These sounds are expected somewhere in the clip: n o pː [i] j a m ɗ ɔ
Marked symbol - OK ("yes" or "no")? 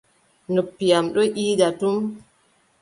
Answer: yes